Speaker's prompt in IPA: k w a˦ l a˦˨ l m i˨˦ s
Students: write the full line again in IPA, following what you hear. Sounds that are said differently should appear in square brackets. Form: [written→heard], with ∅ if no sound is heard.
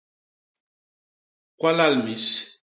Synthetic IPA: k w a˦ l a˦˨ l m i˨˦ s

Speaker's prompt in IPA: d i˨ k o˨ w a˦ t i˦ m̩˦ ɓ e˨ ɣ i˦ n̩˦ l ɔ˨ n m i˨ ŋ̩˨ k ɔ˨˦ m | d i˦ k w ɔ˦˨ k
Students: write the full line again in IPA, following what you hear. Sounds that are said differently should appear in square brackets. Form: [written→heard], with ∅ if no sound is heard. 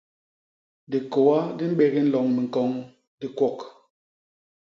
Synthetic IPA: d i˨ k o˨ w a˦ [t→d] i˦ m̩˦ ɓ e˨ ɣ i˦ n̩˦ l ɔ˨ [n→ŋ] m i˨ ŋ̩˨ k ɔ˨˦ [m→ŋ] | d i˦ k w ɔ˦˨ k

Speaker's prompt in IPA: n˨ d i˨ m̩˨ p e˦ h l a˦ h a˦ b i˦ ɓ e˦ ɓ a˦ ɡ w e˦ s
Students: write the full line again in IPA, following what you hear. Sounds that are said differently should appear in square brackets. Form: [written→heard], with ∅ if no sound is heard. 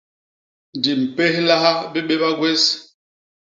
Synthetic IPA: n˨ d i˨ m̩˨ p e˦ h l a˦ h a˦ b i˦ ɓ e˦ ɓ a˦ ɡ w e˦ s

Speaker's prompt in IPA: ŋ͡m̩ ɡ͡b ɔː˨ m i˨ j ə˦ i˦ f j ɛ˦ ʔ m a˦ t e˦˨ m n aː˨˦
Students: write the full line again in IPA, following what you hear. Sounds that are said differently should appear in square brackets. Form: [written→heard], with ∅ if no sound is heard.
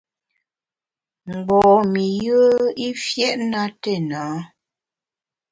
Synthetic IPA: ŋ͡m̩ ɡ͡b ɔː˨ m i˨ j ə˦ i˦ f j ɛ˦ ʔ [m→n] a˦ t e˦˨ [m→∅] n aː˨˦

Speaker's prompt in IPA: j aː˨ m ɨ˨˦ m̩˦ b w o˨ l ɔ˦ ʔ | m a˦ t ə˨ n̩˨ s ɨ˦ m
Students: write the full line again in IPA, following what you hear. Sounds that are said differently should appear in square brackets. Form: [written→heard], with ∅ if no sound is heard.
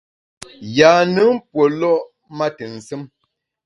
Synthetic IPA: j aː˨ [m→n] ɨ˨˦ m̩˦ [b→p] w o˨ l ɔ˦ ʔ | m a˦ t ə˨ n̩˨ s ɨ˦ m

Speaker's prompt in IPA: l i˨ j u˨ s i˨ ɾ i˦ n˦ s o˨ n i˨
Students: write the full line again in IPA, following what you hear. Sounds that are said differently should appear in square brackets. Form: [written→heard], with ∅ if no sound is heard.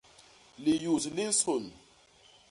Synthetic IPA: l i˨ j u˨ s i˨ [ɾ→l] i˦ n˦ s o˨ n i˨

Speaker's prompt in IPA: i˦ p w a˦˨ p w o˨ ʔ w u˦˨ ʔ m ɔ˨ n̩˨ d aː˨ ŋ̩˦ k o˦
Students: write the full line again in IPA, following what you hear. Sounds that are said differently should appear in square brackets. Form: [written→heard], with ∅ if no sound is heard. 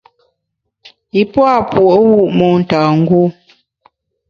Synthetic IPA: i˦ p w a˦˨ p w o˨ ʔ w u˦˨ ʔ m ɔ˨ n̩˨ [d→t] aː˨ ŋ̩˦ [k→ɡ] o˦

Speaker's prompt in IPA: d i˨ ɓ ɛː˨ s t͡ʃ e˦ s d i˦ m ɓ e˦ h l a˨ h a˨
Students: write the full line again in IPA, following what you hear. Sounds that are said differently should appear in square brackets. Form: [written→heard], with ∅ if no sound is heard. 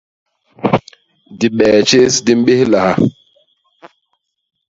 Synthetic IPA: d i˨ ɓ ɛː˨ [s→∅] t͡ʃ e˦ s d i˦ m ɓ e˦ h l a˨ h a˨

